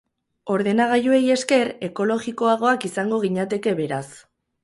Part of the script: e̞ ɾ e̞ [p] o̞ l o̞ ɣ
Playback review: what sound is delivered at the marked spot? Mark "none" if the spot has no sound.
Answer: k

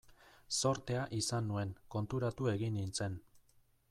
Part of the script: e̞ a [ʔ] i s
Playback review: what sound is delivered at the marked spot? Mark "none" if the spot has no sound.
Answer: ʔ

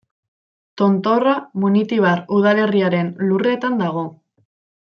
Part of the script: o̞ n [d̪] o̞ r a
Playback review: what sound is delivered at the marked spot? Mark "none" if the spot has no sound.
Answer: t̪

